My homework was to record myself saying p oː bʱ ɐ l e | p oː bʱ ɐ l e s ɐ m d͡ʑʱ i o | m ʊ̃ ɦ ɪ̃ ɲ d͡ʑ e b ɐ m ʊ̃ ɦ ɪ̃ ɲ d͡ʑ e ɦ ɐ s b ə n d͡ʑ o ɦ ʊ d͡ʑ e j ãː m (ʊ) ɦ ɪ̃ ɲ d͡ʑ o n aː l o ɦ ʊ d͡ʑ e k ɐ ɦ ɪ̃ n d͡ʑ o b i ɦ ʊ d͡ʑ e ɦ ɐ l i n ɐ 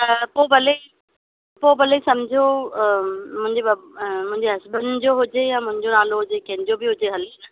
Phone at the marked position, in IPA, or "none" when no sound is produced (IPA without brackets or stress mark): ʊ̃